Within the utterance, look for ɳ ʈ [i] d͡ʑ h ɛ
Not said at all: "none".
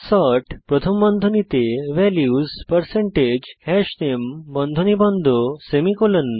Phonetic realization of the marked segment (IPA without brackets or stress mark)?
e